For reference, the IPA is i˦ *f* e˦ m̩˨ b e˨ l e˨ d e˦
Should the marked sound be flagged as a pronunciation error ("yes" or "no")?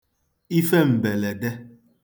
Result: no